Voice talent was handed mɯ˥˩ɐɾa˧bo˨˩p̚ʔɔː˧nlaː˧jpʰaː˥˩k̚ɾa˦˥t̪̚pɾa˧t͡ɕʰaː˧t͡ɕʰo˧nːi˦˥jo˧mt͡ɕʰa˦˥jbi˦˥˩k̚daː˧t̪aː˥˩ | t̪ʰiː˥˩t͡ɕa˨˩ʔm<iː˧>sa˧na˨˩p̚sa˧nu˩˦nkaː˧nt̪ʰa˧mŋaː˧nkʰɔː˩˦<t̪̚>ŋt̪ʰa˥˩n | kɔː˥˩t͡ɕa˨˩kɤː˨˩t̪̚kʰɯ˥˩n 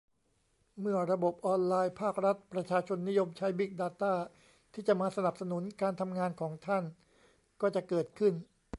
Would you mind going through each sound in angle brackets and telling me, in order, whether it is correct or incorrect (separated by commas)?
incorrect, incorrect